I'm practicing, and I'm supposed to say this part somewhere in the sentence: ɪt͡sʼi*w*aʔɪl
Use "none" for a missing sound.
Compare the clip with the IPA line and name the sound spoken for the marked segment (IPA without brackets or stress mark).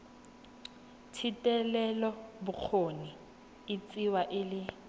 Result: w